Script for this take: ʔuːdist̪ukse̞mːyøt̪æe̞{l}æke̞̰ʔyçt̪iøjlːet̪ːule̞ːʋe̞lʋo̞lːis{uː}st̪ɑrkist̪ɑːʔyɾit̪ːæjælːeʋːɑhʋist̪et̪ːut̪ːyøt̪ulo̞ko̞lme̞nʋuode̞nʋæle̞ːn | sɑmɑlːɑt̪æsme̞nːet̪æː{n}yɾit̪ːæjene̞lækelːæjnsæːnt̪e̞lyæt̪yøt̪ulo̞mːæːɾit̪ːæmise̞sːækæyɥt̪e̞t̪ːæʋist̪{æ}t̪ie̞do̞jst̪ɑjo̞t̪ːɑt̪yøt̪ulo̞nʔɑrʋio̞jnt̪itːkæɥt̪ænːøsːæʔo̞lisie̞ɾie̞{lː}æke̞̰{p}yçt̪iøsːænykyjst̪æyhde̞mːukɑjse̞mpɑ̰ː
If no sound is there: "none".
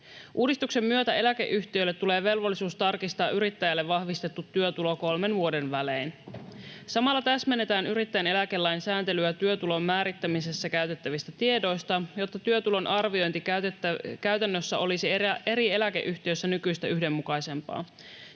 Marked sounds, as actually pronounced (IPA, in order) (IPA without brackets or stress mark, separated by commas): l, uː, n, æ, l, ʔ